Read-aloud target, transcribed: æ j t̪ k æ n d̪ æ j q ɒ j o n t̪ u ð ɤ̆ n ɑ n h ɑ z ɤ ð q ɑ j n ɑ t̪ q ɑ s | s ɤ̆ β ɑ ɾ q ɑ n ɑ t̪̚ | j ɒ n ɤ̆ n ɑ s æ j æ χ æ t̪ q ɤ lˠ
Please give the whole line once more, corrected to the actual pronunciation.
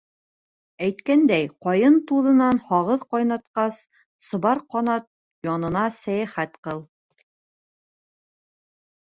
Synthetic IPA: æ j t̪ k æ n d̪ æ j q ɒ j ɤ n t̪ u ð ɤ̆ n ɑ n h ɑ ʁ ɤ ð q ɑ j n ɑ t̪ q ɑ s | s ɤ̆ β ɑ ɾ q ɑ n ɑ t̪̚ | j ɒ n ɤ̆ n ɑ s æ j æ χ æ t̪ q ɤ lˠ

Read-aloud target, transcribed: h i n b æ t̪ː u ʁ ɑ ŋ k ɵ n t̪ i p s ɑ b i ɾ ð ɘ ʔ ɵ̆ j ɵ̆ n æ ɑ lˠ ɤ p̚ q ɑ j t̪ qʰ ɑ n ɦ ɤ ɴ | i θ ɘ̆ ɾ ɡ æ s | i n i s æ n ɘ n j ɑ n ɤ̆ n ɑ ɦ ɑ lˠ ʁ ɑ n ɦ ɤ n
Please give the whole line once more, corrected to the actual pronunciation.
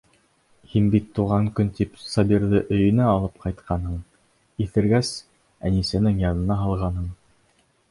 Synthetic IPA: h i n b i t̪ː u ʁ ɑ ŋ k ɵ n t̪ i p s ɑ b i ɾ ð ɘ ʔ ɵ̆ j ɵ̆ n æ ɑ lˠ ɤ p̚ q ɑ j t̪ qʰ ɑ n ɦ ɤ ɴ | i θ ɘ̆ ɾ ɡ æ s | æ n i s æ n ɘ ŋ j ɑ n ɤ̆ n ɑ ɦ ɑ lˠ ʁ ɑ n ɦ ɤ ɴ

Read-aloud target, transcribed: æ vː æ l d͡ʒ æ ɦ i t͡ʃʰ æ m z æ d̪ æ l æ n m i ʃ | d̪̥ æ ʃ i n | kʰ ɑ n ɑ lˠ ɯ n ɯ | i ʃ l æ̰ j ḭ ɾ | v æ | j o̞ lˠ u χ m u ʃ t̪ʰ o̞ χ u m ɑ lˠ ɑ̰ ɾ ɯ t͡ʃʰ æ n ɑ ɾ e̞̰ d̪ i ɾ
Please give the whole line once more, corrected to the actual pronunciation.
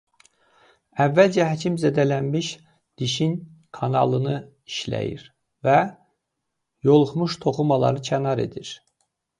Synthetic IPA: æ vː æ l d͡ʒ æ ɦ æ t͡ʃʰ i m z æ d̪ æ l æ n m i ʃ | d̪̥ i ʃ i n | kʰ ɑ n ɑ lˠ ɯ n ɯ | i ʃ l æ̰ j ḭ ɾ | v æ | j o̞ lˠ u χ m u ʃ t̪ʰ o̞ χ u m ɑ lˠ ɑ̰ ɾ ɯ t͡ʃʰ æ n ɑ ɾ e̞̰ d̪ i ɾ

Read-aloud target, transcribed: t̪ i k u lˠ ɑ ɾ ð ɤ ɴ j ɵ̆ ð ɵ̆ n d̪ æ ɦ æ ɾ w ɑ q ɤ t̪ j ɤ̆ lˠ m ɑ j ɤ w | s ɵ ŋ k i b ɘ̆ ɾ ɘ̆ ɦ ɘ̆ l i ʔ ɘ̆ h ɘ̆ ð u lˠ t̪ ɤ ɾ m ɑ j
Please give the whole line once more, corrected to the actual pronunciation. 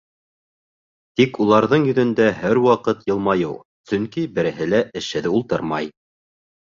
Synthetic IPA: t̪ i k u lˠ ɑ ɾ ð ɤ ɴ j ɵ̆ ð ɵ̆ n d̪ æ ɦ æ ɾ w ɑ q ɤ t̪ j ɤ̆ lˠ m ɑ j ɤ w | s ɵ ŋ k i b ɘ̆ ɾ ɘ̆ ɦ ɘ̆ l æ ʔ ɘ̆ ʃ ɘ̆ ð u lˠ t̪ ɤ ɾ m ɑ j

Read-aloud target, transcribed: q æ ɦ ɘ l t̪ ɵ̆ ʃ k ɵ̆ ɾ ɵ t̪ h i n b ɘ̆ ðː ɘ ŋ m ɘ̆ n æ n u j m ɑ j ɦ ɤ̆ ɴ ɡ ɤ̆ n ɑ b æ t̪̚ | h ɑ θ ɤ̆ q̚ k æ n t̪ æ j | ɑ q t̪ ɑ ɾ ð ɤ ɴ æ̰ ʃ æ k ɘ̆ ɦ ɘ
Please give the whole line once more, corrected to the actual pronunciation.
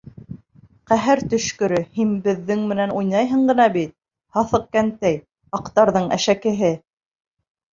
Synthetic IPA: q æ ɦ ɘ ɾ t̪ ɵ̆ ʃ k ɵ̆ ɾ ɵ h i n b ɘ̆ ðː ɘ ŋ m ɘ̆ n æ n u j n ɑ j ɦ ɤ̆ ɴ ɢ ɤ̆ n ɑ b i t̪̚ | h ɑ θ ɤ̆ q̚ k æ n t̪ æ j | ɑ q t̪ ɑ ɾ ð ɤ ɴ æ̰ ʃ æ k ɘ̆ ɦ ɘ

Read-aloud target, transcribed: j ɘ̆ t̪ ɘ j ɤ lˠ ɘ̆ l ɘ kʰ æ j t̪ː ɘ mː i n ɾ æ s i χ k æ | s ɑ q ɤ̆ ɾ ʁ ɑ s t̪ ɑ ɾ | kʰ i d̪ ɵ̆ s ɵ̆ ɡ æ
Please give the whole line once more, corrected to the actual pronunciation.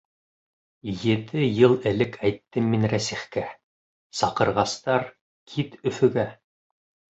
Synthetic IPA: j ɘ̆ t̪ ɘ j ɤ lˠ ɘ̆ l ɘ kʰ æ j t̪ː ɘ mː i n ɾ æ s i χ k æ | s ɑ q ɤ̆ ɾ ʁ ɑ s t̪ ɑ ɾ | kʰ i t̪ ɵ̆ f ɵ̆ ɡ æ

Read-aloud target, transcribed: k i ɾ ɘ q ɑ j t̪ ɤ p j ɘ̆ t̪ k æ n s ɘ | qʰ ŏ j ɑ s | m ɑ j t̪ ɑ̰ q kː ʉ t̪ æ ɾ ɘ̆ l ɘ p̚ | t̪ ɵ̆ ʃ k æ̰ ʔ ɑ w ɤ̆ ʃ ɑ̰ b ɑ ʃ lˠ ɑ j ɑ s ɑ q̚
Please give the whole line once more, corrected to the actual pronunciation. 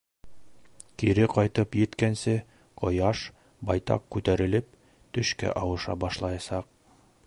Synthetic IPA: k i ɾ ɘ q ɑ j t̪ ɤ p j ɘ̆ t̪ k æ n s ɘ | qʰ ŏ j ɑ ʃ | b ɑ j t̪ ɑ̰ q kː ʉ t̪ æ ɾ ɘ̆ l ɘ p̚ | t̪ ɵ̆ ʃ k æ̰ ʔ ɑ w ɤ̆ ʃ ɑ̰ b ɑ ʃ lˠ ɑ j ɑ s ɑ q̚

